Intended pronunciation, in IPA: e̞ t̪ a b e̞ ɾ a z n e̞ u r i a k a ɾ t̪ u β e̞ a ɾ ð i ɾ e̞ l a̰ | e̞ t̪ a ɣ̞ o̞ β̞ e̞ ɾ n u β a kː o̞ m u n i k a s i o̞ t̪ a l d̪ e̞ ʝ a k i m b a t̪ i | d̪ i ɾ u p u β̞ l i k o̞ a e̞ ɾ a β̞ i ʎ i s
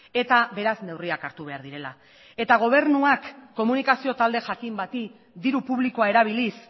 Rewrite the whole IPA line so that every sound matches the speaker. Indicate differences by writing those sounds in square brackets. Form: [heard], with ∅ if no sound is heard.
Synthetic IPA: e̞ t̪ a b e̞ ɾ a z n e̞ [w] r i a k a ɾ t̪ u β e̞ a ɾ ð i ɾ e̞ l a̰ | e̞ t̪ a ɣ̞ o̞ β̞ e̞ ɾ n u [∅] a kː o̞ m u n i k a s i o̞ t̪ a l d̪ e̞ ʝ a k i m b a t̪ i | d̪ i ɾ u p u β̞ l i k o̞ a e̞ ɾ a β̞ i [l] i s